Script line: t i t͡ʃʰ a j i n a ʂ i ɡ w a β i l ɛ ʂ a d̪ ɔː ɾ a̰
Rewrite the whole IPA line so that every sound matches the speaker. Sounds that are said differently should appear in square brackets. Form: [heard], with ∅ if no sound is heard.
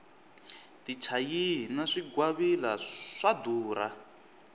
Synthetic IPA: t i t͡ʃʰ a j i n a ʂ i ɡ w a β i l [a] ʂ a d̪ [uː] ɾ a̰